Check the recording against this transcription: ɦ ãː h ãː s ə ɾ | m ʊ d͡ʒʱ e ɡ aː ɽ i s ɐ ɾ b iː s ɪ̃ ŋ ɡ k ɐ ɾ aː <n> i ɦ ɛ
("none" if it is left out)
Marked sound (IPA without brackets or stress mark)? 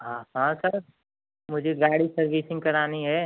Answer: n